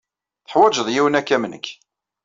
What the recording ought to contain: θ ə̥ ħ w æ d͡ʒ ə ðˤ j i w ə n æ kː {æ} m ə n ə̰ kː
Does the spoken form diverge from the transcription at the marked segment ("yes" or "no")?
no